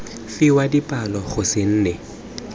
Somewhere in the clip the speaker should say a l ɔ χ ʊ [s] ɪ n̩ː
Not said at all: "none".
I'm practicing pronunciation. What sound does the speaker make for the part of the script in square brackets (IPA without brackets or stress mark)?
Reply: s